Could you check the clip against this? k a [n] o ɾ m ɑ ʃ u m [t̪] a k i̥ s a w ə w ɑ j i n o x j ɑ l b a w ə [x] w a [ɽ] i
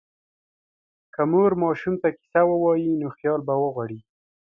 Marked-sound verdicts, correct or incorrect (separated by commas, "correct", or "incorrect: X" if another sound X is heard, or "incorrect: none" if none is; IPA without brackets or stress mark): incorrect: m, correct, incorrect: ɣ, correct